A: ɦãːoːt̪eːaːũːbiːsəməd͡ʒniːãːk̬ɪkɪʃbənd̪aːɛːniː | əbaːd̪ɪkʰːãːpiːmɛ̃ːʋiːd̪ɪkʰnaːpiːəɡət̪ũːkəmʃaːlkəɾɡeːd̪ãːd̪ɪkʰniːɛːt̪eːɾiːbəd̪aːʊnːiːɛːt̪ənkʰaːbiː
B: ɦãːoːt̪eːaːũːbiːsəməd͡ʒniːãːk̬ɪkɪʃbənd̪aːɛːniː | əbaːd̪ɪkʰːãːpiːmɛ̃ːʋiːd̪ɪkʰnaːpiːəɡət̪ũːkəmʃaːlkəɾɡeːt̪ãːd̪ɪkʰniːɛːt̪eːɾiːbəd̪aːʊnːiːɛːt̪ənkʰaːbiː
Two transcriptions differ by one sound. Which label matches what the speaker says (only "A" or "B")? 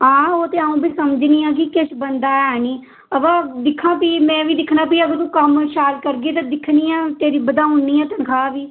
B